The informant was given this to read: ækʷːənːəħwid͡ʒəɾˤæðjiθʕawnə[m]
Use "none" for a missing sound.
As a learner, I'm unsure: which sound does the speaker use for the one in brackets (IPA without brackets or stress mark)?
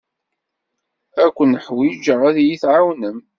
m